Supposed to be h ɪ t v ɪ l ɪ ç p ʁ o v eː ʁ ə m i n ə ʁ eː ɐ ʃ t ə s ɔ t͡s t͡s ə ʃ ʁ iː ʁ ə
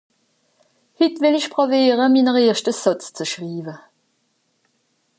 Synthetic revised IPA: h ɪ t v ɪ l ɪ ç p ʁ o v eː ʁ ə m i n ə ʁ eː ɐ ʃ t ə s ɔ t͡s t͡s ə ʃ ʁ iː v ə